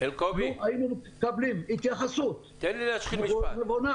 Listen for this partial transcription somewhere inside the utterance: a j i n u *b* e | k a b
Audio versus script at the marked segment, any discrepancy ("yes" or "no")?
yes